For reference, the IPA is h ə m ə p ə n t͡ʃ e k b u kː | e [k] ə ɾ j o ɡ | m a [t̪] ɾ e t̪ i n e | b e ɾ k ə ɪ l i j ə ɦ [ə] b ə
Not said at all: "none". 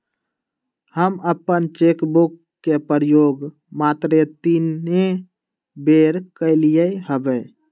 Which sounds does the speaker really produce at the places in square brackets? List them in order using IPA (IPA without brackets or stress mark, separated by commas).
p, t̪, ə